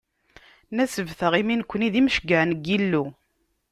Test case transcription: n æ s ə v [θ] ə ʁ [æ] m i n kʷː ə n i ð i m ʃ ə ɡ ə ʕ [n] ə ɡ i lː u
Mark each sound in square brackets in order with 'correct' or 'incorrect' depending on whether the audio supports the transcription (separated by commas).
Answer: correct, incorrect, correct